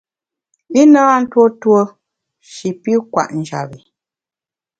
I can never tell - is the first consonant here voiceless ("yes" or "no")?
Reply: no